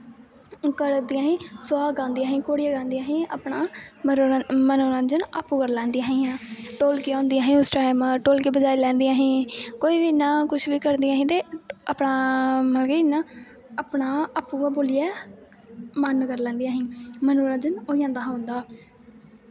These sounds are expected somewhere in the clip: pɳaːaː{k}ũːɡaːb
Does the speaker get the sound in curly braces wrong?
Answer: yes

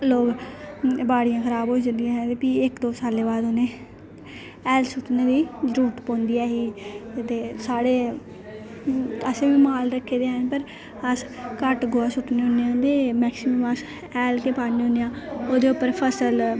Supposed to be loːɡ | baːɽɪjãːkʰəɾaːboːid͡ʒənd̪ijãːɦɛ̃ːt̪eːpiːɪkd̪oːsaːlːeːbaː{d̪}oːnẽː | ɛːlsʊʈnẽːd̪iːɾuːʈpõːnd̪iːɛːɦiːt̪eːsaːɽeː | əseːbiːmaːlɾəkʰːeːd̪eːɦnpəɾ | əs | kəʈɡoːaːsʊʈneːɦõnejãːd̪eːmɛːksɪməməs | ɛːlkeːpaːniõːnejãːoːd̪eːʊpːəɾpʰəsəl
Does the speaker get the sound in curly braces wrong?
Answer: no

